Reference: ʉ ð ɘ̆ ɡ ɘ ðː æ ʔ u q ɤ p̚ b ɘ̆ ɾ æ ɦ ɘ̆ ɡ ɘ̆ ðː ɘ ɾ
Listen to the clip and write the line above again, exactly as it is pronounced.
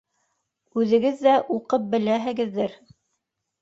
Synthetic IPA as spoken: ʉ ð ɘ̆ ɡ ɘ ðː æ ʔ u q ɤ p̚ b ɘ̆ l æ ɦ ɘ̆ ɡ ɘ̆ ðː ɘ ɾ